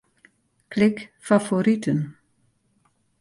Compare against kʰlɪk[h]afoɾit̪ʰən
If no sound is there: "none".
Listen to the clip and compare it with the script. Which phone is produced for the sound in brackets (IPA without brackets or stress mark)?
f